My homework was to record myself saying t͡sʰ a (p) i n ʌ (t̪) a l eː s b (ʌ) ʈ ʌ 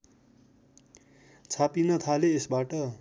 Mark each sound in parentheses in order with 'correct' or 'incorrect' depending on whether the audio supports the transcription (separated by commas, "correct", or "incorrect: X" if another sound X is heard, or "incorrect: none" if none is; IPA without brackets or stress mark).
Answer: correct, incorrect: t̪ʰ, incorrect: a